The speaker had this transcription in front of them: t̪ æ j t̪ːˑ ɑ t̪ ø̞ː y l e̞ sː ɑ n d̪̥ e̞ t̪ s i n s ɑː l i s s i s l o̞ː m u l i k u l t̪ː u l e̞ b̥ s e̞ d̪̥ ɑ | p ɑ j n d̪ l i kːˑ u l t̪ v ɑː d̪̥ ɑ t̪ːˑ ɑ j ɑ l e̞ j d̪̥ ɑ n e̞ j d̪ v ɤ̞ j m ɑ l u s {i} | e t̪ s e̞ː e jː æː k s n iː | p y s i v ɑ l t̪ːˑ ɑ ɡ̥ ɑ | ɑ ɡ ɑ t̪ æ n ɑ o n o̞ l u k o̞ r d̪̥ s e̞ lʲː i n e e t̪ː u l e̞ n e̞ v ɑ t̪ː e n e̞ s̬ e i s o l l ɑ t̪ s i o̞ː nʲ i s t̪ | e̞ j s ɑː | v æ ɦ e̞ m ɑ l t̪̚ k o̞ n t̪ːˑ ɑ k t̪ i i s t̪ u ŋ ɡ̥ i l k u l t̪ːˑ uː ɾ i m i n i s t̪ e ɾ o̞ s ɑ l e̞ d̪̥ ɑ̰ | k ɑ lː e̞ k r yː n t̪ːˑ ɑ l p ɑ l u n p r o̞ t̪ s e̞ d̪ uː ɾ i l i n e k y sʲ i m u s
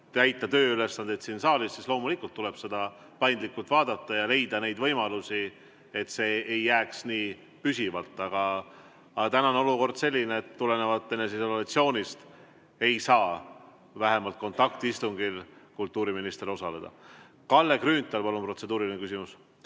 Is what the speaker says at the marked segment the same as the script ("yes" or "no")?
yes